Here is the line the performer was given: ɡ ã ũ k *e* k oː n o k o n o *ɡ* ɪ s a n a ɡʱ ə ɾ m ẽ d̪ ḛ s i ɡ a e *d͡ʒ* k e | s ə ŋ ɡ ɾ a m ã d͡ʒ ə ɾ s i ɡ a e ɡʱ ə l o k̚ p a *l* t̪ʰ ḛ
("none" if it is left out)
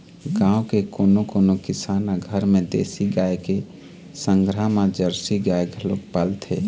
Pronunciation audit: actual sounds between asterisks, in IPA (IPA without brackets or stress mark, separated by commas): e, k, none, l